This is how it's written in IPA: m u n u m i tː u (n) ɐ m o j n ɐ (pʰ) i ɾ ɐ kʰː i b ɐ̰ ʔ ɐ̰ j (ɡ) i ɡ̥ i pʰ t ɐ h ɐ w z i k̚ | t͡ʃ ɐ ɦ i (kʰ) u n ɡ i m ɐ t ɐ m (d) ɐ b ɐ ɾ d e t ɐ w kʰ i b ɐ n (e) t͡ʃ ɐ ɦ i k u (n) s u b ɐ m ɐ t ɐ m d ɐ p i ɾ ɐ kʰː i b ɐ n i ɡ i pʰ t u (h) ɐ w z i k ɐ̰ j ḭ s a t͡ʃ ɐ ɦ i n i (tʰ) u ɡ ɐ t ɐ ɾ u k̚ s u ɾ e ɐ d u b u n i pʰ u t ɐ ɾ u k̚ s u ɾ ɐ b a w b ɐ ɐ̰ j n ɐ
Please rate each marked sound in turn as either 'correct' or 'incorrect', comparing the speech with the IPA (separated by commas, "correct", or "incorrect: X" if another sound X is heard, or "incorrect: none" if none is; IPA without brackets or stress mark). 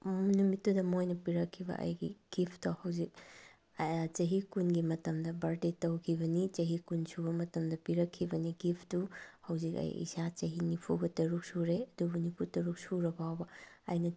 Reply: incorrect: d, incorrect: p, correct, incorrect: k, correct, incorrect: i, correct, correct, incorrect: pʰ